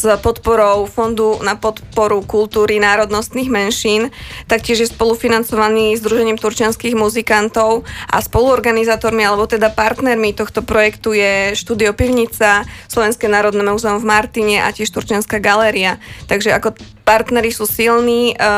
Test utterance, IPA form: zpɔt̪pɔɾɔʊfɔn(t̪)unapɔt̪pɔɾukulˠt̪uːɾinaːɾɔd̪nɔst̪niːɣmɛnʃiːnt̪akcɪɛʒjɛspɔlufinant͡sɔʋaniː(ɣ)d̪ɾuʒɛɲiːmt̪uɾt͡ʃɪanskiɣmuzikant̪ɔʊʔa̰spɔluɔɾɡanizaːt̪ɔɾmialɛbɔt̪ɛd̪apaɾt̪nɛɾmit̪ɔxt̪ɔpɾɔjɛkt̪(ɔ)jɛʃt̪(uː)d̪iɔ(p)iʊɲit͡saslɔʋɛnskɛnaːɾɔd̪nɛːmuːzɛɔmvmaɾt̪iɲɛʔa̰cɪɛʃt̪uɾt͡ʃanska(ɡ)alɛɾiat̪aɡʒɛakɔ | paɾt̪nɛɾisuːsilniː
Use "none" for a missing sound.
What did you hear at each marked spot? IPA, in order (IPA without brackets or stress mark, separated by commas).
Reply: d̪, z, u, uː, p, ɡ